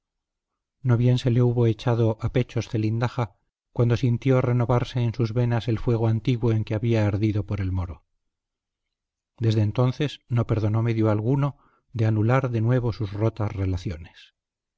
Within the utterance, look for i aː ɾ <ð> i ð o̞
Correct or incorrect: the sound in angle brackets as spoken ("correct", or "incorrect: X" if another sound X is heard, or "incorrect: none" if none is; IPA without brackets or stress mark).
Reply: correct